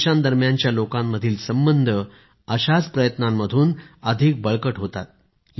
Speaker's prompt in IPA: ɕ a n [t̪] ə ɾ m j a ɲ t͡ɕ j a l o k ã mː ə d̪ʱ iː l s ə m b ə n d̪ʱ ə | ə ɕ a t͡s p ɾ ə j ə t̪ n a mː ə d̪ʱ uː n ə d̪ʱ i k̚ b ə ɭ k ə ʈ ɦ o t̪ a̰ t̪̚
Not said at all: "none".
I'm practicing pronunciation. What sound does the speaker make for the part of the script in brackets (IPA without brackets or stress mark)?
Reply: d̪